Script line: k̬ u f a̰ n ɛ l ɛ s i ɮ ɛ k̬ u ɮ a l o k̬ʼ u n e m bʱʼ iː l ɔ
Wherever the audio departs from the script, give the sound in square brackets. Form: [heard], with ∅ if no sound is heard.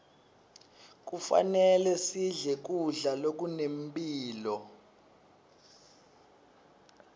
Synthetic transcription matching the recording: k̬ u f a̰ n ɛ l ɛ s i ɮ ɛ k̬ u ɮ a l o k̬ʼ u n e m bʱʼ iː l ɔ